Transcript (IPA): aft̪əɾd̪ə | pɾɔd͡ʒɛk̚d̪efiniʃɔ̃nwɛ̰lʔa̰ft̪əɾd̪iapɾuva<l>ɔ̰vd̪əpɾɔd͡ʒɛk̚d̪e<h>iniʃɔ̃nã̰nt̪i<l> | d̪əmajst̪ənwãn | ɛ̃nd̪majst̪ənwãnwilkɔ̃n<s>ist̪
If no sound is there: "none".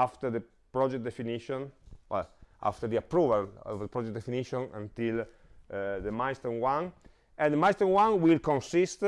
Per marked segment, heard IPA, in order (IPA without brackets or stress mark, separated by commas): l, f, l, s